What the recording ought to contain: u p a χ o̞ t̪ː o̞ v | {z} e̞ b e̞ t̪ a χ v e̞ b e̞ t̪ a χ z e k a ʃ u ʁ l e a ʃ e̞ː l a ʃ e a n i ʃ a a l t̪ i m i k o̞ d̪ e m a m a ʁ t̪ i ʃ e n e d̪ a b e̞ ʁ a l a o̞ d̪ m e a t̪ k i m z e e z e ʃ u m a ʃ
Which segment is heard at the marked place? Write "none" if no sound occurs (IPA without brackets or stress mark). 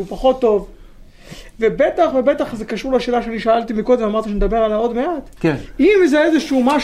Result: v